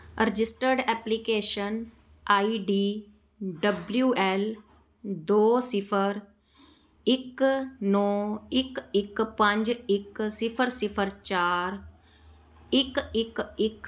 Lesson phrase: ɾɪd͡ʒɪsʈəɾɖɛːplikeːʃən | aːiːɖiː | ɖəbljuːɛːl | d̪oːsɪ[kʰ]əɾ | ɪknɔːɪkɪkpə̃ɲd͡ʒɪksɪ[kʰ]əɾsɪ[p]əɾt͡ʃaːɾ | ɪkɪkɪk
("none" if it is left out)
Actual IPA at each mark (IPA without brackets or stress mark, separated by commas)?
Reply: pʰ, pʰ, pʰ